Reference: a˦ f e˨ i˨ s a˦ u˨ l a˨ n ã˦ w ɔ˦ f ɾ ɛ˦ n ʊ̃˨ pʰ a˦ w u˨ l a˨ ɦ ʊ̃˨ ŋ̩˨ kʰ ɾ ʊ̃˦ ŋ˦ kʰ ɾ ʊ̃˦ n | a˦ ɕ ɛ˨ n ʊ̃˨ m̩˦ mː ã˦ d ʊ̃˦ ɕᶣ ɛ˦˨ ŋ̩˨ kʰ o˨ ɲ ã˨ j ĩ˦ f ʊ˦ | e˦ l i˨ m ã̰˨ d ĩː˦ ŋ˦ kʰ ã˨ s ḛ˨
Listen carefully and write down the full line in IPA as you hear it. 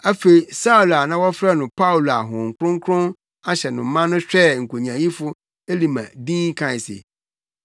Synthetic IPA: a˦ f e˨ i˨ s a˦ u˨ l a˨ n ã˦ w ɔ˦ f ɾ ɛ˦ n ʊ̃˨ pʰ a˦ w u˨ l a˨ ɦ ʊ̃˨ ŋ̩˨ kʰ ɾ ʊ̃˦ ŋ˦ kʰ ɾ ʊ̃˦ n | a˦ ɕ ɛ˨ n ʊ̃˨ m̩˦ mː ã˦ n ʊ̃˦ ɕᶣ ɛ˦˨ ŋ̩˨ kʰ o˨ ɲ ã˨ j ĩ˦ f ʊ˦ | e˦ l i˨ m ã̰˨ d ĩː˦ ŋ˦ kʰ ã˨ s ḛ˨